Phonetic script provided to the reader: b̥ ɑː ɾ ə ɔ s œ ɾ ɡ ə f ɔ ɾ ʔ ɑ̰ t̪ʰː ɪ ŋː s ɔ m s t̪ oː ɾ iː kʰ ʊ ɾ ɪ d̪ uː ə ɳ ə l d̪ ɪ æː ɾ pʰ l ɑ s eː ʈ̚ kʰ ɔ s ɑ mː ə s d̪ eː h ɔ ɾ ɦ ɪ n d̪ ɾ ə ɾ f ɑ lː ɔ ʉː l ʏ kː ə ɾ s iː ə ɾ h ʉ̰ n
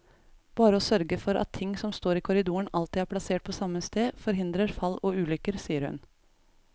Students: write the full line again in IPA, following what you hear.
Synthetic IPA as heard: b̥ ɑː ɾ ə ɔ s œ ɾ ɡ ə f ɔ ɾ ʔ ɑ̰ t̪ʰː ɪ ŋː s ɔ m s t̪ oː ɾ iː kʰ ʊ ɾ ɪ d̪ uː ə ɳ ɑ l t̪ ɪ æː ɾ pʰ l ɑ s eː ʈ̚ pʰ ɔ s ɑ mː ə s t̪ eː f ɔ ɾ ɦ ɪ n d̪ ɾ ə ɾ f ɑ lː ɔ ʉː l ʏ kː ə ɾ s iː ə ɾ h ʉ̰ n